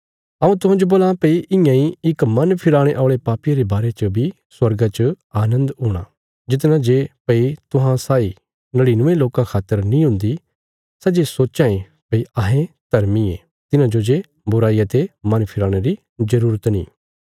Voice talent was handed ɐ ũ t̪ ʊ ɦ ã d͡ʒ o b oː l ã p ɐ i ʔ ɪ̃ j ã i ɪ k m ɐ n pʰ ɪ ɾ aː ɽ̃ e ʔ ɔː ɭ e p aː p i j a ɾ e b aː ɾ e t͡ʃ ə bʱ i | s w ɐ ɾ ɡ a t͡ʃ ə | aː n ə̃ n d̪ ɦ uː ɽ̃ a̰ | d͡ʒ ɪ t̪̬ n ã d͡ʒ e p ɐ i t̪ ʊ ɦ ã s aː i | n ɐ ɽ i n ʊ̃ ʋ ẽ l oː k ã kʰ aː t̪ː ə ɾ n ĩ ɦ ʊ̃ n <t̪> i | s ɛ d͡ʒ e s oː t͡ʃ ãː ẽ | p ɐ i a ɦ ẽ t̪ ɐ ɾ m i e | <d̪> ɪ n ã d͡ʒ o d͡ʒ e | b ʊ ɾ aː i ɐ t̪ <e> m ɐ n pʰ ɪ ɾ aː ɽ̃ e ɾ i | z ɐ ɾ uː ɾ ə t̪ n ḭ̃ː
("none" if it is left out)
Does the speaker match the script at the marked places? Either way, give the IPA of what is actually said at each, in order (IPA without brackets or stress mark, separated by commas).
d̪, t̪, e